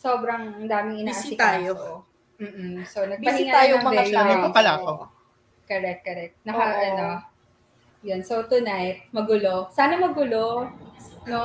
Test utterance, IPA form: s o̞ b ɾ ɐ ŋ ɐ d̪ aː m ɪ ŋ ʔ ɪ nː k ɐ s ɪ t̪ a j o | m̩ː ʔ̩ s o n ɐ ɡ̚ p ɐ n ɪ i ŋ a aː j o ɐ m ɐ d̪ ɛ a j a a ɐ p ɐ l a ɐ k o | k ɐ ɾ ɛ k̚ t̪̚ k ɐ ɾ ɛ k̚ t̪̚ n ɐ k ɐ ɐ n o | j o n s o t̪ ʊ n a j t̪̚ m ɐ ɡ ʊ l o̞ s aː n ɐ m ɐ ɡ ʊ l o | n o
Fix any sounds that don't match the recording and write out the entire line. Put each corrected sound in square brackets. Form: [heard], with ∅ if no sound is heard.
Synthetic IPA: s o̞ b ɾ ɐ ŋ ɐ d̪ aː m ɪ ŋ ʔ ɪ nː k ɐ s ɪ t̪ a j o | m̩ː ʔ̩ s o n ɐ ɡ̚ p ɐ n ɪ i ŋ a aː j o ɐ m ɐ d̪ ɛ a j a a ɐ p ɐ l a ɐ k o | k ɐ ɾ ɛ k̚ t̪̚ k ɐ ɾ ɛ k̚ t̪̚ n ɐ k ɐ ɐ n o | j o n s o t̪ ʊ n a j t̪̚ m ɐ ɡ ʊ l o̞ s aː n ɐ m ɐ ɡ ʊ l o | n o